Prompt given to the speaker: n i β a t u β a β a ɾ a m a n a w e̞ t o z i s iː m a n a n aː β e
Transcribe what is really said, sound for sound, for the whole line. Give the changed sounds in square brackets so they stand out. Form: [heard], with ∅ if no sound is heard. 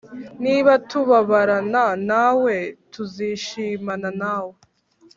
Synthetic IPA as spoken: n i β a t u β a β a ɾ a [n] a n a w e̞ t [u] z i [ʃ] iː m a n a n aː [w] e